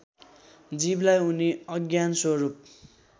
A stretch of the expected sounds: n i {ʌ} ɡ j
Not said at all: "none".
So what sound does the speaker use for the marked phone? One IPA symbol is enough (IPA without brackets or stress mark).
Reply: ʌ